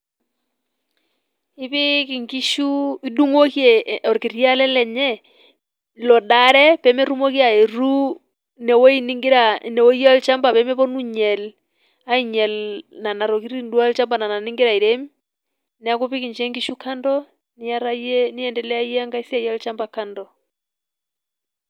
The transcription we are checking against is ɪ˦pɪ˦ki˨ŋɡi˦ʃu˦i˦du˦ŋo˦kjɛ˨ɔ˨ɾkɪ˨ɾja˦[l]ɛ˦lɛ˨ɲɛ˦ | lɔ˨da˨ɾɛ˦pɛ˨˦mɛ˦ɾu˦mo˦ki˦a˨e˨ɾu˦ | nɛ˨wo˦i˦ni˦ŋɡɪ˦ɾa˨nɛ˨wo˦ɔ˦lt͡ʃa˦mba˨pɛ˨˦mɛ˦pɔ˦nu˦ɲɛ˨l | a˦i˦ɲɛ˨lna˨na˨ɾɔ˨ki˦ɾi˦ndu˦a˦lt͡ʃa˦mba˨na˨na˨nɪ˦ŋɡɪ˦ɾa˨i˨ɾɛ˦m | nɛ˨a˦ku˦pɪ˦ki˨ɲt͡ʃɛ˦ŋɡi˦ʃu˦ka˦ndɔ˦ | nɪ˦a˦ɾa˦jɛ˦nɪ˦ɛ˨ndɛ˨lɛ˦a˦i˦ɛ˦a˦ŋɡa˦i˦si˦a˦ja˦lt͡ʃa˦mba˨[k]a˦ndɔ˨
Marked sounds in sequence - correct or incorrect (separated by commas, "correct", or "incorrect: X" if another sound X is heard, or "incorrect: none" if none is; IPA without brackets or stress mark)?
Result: correct, correct